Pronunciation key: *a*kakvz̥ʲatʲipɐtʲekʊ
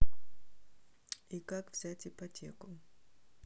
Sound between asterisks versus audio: incorrect: i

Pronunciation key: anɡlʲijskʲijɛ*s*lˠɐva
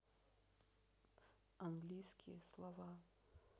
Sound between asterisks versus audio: correct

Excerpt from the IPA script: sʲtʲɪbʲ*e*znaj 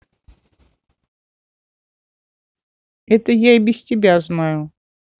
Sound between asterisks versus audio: incorrect: a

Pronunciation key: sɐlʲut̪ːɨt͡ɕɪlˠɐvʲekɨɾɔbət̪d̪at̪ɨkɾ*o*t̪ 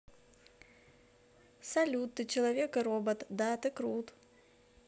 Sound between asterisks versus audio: incorrect: u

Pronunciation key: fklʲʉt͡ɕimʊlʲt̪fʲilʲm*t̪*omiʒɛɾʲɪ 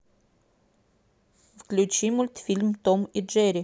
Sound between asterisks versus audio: correct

